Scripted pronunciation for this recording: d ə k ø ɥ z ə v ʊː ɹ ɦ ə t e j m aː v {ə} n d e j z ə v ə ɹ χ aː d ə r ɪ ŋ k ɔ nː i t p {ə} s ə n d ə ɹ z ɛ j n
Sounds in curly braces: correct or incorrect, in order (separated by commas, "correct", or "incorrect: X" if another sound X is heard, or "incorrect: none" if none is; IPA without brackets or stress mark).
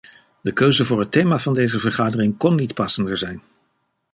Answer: incorrect: ɑ, incorrect: ɑ